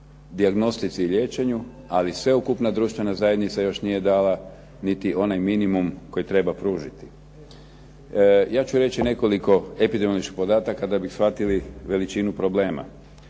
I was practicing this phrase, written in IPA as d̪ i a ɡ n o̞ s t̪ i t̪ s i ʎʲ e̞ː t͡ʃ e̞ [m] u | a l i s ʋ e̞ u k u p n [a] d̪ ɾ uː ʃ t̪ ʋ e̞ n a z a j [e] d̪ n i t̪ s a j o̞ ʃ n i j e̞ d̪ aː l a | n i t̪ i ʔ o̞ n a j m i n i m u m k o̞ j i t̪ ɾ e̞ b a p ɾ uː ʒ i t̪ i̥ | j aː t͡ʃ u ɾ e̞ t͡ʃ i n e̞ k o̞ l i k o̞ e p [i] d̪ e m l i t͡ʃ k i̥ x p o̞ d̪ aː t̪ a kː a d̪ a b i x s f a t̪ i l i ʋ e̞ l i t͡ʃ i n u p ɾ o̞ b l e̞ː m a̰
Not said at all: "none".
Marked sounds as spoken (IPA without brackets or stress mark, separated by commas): ɲ, a, e, i